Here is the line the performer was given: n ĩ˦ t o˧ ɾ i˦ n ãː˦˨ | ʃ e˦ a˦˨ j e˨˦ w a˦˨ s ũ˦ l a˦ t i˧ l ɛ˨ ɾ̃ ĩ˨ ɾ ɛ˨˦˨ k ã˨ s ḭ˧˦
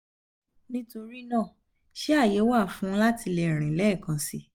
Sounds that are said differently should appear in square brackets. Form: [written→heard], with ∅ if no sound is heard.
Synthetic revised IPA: n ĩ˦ t o˧ ɾ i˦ n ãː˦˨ | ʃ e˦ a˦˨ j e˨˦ w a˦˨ [s→f] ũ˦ l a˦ t i˧ l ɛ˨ ɾ̃ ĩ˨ [ɾ→l] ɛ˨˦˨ k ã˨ s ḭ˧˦